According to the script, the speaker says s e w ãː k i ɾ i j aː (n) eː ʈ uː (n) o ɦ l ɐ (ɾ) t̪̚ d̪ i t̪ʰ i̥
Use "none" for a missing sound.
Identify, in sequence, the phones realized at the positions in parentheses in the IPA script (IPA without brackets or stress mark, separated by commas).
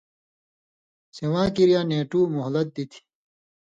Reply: n, m, none